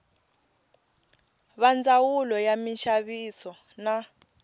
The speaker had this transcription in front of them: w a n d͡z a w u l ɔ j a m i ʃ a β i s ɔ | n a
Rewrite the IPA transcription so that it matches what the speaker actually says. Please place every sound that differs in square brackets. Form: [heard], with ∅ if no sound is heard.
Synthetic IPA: [β] a n d͡z a w u l ɔ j a m i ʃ a β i s ɔ | n a